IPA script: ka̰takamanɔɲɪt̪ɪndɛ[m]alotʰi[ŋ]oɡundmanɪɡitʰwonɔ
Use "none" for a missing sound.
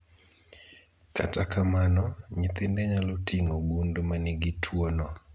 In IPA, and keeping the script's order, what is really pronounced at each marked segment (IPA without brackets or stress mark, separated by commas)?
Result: ɲ, ŋ